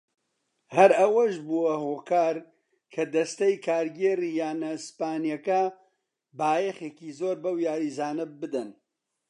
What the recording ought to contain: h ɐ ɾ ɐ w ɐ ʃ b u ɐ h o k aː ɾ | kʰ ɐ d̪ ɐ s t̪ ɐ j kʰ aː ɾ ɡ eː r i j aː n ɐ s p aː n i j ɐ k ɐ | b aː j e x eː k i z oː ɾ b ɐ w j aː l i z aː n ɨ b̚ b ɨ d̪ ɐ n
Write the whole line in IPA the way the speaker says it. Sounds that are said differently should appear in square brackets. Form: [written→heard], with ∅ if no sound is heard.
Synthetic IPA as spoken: h ɐ ɾ ɐ w ɐ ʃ b u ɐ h o k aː ɾ | kʰ ɐ d̪ ɐ s t̪ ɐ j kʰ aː ɾ ɡ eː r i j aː n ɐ s p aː n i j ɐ k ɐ | b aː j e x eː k i z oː ɾ b ɐ w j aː [l→ɾ] i z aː n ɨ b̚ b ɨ d̪ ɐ n